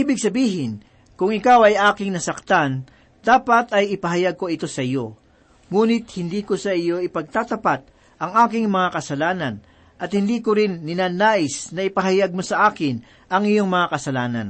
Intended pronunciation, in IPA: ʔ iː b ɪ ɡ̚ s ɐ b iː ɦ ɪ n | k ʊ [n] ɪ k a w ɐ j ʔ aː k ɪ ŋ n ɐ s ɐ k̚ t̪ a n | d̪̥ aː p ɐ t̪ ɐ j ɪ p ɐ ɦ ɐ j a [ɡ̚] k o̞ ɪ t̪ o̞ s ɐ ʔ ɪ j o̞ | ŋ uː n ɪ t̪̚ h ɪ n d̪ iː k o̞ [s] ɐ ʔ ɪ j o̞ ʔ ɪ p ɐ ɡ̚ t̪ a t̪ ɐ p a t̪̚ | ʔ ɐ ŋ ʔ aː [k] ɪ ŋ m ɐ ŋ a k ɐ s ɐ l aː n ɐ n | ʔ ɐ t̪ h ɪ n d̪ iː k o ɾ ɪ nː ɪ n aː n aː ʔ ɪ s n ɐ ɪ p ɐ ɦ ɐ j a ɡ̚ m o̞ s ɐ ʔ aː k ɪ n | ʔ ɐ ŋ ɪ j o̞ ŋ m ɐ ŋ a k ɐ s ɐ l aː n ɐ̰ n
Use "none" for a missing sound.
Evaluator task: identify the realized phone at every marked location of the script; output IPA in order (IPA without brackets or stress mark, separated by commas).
ŋ, ɡ̚, s, k